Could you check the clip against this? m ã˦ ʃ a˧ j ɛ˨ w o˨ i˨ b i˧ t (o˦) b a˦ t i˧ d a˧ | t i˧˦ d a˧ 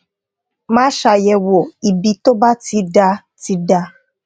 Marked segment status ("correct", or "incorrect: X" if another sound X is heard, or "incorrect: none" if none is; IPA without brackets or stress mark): correct